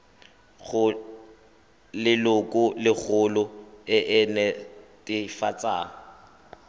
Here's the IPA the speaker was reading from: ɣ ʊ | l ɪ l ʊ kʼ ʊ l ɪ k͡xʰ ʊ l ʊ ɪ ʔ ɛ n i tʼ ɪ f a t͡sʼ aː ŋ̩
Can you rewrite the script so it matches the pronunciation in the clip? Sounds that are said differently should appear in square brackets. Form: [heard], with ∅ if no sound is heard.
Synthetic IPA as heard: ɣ ʊ | l ɪ l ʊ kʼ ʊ l ɪ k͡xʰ ʊ l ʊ ɪ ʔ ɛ n [ɛ] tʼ ɪ f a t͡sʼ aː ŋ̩